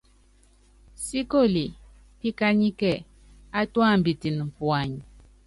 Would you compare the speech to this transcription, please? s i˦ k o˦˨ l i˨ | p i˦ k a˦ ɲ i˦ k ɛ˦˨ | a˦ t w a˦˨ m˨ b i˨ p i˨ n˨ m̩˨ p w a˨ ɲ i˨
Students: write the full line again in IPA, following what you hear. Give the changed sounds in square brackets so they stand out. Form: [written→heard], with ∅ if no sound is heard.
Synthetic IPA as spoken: s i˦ k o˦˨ l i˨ | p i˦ k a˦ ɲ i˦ k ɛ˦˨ | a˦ t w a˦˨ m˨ b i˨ [p→t] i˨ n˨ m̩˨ p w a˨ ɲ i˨